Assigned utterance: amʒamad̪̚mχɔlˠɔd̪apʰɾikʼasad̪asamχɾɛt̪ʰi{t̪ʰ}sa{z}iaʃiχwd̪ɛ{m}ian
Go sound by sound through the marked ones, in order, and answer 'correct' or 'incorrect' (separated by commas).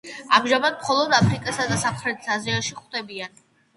incorrect, correct, incorrect